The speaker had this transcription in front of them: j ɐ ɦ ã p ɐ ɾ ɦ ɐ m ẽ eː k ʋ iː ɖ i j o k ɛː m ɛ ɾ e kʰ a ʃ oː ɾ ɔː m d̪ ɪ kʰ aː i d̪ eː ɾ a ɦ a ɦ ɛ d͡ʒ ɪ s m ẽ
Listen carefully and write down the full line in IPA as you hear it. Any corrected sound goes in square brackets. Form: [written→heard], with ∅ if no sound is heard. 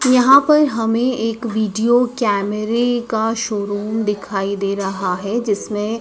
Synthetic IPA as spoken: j ɐ ɦ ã p ɐ ɾ ɦ ɐ m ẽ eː k ʋ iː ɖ i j o k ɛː m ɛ ɾ e [kʰ→k] a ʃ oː ɾ [ɔː→uː] m d̪ ɪ kʰ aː i d̪ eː ɾ [a→ɐ] ɦ a ɦ ɛ d͡ʒ ɪ s m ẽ